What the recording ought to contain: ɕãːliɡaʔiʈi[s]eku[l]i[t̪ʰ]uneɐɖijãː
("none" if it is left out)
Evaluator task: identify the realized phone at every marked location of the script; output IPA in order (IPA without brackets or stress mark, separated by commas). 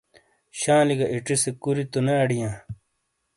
s, ɾ, t̪